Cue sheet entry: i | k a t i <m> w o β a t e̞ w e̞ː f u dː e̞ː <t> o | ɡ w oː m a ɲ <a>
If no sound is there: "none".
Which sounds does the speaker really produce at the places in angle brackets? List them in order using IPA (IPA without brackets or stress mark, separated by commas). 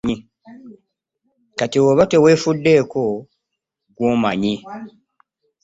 none, k, i